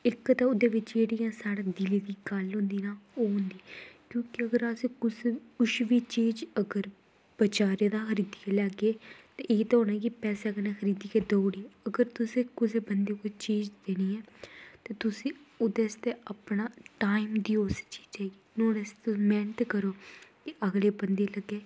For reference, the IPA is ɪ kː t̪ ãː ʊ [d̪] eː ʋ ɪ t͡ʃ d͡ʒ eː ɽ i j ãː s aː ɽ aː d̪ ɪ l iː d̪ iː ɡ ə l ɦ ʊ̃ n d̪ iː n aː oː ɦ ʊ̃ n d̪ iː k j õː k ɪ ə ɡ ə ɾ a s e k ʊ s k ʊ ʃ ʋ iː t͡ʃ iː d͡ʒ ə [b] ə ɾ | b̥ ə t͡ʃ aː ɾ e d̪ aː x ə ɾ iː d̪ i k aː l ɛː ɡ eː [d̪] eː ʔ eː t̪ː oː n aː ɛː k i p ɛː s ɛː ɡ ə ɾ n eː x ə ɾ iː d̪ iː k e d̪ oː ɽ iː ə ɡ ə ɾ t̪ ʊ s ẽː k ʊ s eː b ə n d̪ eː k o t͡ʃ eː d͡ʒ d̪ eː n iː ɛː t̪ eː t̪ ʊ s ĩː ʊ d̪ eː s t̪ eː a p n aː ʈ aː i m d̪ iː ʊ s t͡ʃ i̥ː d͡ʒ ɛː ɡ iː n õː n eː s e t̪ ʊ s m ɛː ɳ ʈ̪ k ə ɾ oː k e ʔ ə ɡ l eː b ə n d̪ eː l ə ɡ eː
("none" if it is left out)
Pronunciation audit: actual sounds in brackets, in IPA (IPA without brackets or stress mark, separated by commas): d̪, ɡ, t̪